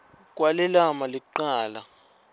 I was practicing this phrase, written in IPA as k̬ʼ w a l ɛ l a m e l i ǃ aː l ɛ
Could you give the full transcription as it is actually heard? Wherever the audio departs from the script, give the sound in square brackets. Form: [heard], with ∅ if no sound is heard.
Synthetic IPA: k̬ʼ w a l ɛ l a m [a] l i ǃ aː l [a]

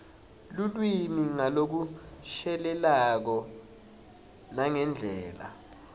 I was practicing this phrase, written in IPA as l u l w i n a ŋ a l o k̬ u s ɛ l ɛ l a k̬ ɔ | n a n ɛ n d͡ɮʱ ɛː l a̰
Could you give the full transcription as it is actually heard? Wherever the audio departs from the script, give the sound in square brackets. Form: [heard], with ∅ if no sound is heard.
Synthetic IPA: l u l w i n [i] ŋ a l o k̬ u [ʃ] ɛ l ɛ l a k̬ ɔ | n a [ŋ] ɛ n d͡ɮʱ ɛː l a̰

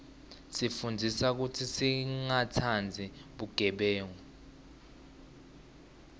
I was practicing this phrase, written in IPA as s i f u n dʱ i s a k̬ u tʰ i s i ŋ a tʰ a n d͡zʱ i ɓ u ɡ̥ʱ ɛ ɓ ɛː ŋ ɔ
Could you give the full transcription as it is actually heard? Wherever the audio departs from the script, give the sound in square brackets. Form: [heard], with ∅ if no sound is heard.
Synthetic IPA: s i f u n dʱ i s a k̬ u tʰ i s i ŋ a tʰ a n d͡zʱ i ɓ u ɡ̥ʱ ɛ ɓ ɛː ŋ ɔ

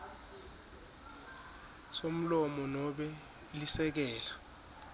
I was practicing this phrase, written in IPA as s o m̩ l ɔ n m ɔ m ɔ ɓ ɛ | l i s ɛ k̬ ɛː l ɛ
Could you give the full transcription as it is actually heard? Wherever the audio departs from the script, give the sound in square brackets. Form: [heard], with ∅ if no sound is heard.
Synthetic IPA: s o m̩ l ɔ [∅] m ɔ [n] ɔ ɓ ɛ | l i s ɛ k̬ ɛː l [a]

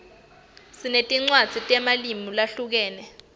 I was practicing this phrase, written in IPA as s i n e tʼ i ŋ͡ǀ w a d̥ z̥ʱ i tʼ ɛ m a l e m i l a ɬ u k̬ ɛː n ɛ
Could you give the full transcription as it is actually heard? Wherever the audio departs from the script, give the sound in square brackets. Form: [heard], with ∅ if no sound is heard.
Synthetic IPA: s i n e tʼ i ŋ͡ǀ w a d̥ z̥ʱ i tʼ ɛ m a l [i] m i l a ɬ u k̬ ɛː n ɛ

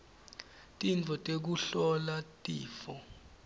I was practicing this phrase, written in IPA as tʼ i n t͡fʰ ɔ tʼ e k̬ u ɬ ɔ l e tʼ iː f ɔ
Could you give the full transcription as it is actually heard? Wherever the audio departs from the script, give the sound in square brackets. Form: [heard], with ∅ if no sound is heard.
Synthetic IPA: tʼ i n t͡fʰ ɔ tʼ e k̬ u ɬ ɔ l [a] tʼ iː f ɔ

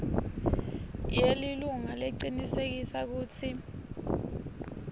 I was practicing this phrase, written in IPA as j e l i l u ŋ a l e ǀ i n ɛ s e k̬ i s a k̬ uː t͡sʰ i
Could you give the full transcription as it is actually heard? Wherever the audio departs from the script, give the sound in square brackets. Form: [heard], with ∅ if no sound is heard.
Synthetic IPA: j e l i l u ŋ a l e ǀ i n [i] s e k̬ i s a k̬ uː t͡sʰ i

